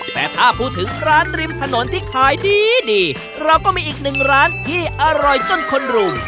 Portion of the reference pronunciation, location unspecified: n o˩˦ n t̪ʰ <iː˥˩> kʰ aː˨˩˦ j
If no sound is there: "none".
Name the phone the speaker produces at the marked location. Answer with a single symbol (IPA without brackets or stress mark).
iː˥˩